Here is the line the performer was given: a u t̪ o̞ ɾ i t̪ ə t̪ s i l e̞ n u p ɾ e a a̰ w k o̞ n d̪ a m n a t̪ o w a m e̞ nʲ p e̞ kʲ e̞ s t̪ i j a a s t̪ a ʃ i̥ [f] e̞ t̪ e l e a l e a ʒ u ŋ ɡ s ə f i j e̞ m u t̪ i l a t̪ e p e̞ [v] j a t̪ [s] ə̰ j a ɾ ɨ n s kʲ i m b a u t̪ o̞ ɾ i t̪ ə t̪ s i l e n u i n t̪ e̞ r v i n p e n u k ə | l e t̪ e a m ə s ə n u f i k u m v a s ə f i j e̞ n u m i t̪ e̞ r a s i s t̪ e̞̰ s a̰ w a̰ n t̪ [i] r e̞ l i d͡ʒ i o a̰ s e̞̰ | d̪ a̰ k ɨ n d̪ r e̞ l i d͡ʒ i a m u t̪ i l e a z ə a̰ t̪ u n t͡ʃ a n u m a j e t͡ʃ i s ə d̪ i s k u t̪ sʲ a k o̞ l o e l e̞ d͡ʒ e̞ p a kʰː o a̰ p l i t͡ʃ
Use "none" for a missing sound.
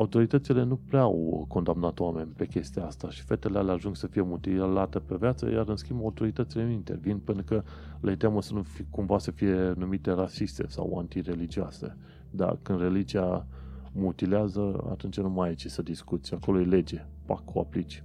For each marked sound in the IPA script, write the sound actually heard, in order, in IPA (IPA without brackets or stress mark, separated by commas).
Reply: f, v, s, i